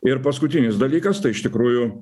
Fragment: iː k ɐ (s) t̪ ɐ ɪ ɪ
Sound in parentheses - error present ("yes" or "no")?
no